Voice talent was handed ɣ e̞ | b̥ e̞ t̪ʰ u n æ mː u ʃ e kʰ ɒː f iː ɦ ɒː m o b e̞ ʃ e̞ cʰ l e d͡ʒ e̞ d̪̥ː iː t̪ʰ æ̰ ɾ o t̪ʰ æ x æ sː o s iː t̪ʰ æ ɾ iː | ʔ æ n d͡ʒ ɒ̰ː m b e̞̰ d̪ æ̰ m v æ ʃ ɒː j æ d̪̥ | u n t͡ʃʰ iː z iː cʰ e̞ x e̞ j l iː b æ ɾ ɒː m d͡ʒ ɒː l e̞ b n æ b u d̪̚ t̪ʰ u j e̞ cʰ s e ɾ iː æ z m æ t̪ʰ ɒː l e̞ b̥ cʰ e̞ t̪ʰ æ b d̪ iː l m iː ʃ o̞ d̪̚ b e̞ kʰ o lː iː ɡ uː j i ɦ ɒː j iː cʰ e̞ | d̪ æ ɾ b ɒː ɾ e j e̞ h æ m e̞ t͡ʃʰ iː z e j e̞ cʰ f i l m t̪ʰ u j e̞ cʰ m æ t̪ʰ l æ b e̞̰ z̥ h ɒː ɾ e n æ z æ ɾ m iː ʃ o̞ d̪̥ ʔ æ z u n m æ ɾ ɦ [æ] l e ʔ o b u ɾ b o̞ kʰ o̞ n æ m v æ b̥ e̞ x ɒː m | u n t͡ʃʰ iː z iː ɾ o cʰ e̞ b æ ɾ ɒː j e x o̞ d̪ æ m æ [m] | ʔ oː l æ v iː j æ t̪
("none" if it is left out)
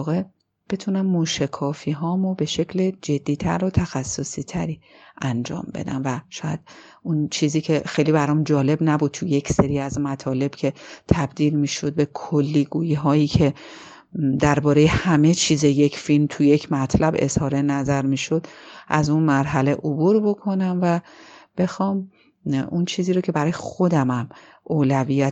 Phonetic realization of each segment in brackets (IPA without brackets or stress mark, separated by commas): æ, m